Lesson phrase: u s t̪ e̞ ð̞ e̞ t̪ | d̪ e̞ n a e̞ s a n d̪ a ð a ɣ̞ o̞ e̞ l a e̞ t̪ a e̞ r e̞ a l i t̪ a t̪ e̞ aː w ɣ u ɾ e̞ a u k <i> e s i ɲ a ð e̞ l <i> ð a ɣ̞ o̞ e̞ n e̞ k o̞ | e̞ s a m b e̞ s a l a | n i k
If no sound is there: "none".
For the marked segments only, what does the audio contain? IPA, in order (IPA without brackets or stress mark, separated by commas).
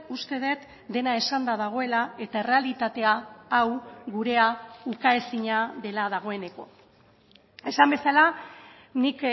a, a